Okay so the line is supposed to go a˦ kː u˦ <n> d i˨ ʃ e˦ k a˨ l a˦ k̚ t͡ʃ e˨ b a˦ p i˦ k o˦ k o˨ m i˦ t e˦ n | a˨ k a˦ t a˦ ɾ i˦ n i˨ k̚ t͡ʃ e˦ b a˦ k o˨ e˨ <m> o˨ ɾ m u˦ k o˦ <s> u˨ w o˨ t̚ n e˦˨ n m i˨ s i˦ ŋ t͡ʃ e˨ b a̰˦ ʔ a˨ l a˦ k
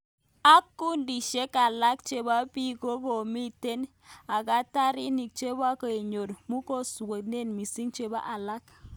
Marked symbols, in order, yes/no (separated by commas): yes, no, yes